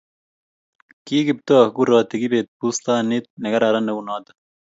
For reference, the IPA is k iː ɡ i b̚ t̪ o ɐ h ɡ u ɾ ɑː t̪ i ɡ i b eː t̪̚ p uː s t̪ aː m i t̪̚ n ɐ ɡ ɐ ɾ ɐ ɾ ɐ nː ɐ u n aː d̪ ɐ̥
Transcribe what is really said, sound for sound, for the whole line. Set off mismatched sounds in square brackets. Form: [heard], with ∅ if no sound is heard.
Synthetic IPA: k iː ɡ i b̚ t̪ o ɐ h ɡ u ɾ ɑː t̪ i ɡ i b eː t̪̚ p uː s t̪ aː [n] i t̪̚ n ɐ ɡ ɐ ɾ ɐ ɾ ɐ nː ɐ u n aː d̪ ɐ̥